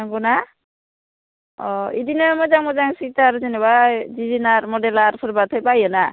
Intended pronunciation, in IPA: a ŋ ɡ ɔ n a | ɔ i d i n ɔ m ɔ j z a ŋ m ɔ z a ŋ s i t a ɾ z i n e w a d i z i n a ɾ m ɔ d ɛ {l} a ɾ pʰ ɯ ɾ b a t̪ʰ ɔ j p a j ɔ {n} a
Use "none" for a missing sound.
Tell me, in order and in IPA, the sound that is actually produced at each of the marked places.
l, n

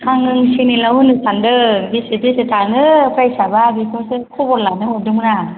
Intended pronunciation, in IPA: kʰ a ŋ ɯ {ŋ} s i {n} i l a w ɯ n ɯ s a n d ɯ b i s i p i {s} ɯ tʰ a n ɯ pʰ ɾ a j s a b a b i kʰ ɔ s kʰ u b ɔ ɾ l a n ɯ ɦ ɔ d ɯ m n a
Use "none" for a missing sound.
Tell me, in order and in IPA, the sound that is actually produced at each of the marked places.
ŋ, n, s

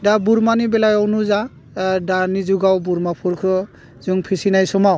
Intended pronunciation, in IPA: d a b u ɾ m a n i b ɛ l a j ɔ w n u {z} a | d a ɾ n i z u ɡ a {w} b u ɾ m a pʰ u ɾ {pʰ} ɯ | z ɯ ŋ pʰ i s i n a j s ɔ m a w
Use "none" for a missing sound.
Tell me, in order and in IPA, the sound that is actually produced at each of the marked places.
z, w, kʰ

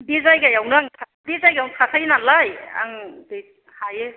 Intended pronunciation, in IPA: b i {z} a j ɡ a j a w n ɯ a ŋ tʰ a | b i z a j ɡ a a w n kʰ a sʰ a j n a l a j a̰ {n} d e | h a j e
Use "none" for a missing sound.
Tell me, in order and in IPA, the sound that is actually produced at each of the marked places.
z, ŋ

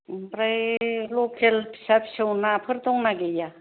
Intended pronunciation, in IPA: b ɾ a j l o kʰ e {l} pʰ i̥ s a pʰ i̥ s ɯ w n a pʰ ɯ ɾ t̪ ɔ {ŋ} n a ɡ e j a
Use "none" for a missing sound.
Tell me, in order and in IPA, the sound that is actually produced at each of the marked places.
l, ŋ

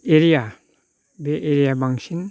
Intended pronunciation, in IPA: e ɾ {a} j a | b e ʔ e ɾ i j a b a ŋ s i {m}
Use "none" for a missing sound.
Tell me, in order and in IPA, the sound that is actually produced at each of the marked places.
i, n

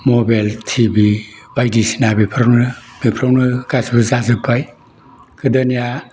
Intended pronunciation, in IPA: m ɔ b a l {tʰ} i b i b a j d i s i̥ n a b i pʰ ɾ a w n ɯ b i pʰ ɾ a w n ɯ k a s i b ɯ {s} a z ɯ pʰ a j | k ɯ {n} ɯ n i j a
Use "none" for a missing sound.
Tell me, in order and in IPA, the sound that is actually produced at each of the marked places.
tʰ, z, d

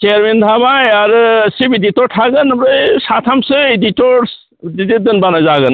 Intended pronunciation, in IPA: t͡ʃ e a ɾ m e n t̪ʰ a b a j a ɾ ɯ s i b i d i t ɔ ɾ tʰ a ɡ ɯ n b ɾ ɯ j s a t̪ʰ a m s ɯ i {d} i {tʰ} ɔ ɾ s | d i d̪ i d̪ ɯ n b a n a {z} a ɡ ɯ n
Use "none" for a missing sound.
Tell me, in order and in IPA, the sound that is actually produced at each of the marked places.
d, t, z

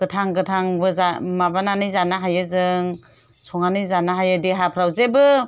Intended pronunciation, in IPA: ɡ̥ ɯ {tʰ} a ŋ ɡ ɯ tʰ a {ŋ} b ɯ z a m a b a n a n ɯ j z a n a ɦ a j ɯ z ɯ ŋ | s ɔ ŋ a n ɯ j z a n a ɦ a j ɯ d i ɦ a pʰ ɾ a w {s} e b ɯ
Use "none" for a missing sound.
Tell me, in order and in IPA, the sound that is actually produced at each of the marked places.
tʰ, ŋ, z

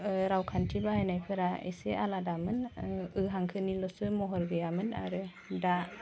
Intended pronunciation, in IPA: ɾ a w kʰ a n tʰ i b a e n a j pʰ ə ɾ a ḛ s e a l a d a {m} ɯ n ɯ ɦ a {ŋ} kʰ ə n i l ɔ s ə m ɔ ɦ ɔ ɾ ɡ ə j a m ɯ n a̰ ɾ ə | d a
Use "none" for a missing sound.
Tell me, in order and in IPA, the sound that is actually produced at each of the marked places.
m, ŋ

